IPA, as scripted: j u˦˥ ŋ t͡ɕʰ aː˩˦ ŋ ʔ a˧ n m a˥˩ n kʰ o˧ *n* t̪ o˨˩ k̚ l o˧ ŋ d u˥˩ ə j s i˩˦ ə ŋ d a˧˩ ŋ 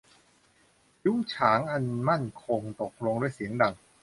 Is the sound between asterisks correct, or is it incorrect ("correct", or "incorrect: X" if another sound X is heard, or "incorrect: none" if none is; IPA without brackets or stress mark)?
incorrect: ŋ